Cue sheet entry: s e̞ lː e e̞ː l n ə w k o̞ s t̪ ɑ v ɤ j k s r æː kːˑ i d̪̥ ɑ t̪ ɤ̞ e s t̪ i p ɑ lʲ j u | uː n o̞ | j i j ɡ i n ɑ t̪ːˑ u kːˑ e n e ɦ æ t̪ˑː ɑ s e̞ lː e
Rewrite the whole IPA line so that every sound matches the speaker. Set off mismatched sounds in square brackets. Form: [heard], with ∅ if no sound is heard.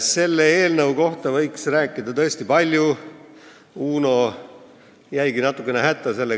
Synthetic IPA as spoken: s e̞ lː e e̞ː l n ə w k o̞ [h] t̪ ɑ v ɤ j k s r æː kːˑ i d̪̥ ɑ t̪ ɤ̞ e s t̪ i p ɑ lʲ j u | uː n o̞ | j [æ] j ɡ i n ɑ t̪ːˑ u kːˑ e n e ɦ æ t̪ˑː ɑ s e̞ lː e